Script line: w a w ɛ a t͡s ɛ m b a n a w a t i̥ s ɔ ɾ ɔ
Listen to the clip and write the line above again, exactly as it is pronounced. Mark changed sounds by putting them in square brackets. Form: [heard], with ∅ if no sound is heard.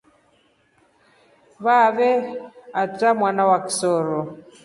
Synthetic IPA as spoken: [β] a [β] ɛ a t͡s [a] m [w] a n a w a [k] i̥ s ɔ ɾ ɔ